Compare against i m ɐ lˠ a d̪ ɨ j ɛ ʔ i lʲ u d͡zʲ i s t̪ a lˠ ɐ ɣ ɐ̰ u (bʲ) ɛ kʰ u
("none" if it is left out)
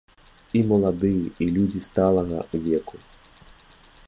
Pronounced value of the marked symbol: vʲ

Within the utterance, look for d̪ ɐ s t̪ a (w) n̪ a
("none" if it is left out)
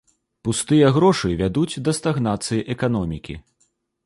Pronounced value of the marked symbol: ɣ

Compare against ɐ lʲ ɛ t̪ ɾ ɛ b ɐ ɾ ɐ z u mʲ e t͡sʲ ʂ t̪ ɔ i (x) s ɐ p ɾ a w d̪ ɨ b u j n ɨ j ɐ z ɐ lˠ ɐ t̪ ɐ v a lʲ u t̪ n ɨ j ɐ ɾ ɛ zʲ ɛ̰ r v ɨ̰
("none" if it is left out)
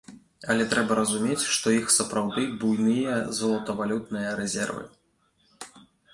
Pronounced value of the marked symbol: x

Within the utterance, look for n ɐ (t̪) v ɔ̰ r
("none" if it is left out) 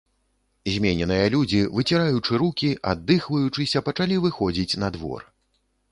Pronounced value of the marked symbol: d̪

